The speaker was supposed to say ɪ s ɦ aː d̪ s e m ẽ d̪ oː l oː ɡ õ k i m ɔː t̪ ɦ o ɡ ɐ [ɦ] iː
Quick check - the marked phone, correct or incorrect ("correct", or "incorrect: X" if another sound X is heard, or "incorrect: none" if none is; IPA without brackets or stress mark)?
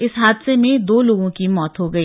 incorrect: none